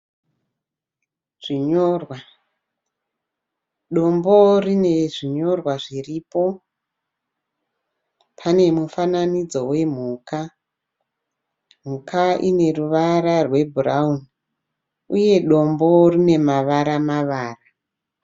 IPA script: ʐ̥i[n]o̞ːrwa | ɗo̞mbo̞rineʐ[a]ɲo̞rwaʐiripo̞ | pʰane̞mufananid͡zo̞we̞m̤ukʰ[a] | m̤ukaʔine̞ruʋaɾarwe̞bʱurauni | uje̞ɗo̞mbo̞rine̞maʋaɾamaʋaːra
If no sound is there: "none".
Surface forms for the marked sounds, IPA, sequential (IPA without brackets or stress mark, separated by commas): ɲ, i, a